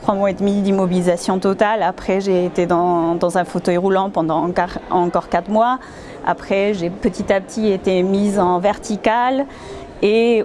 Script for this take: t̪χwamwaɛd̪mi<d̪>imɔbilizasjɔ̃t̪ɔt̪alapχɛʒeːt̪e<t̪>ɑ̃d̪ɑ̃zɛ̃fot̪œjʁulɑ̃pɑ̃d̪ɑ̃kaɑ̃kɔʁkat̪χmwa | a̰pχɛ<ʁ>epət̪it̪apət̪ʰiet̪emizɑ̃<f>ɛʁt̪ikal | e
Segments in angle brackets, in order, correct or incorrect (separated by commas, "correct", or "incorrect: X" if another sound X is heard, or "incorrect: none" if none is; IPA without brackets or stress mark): correct, incorrect: d̪, incorrect: ʒ, incorrect: v